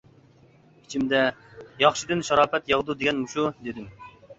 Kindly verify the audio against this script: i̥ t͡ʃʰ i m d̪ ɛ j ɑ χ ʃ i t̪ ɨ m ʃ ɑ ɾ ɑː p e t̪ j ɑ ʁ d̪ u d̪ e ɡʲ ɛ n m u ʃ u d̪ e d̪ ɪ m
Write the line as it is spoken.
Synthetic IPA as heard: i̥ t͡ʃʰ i m d̪ ɛ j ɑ χ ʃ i d̪ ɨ n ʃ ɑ ɾ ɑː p ɛ t̪ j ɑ ʁ d̪ u d̪ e ɡʲ ɛ n m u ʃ u d̪ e d̪ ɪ m